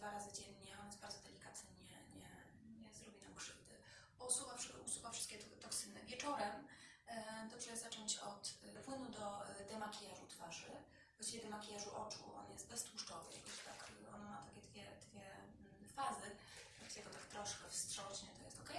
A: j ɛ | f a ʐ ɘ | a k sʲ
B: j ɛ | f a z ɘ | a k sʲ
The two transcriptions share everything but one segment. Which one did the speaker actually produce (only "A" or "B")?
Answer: B